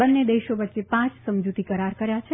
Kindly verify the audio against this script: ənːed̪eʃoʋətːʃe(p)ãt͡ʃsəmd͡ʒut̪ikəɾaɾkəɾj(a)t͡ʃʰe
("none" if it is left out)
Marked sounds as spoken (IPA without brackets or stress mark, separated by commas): p, a